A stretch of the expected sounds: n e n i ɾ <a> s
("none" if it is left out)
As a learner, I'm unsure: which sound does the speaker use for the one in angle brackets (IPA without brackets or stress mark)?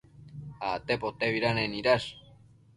a